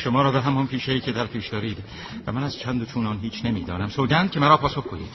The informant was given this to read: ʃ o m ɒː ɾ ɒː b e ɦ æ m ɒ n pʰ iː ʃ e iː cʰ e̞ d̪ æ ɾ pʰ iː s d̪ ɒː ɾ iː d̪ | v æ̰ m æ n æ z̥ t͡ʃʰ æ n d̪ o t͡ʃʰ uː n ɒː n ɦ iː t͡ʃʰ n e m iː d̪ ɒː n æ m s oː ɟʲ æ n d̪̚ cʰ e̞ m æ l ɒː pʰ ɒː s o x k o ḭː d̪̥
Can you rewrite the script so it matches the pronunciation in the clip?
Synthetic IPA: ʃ o m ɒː ɾ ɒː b e ɦ æ m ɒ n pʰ iː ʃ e iː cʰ e̞ d̪ æ ɾ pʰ iː ʃ d̪ ɒː ɾ iː d̪ | v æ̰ m æ n æ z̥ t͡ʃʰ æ n d̪ o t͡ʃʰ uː n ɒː n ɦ iː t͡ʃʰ n e m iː d̪ ɒː n æ m s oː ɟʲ æ n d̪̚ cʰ e̞ m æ ɾ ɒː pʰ ɒː s o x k o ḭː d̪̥